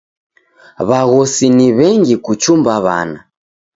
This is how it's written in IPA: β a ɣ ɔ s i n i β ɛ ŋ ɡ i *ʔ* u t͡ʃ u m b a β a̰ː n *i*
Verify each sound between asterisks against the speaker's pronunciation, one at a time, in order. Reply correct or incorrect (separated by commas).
incorrect, incorrect